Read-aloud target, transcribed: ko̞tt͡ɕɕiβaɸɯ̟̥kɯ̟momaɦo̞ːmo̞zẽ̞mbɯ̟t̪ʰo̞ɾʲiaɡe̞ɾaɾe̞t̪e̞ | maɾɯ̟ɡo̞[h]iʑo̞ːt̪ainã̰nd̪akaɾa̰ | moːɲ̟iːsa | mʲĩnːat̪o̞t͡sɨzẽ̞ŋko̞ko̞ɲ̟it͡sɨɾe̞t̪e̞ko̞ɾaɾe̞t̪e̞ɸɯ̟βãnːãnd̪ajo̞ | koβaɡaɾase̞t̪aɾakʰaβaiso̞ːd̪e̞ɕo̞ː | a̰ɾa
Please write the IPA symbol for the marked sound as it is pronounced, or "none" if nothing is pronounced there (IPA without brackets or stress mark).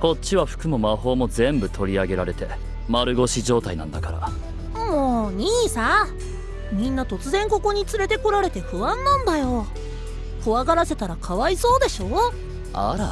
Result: ɕ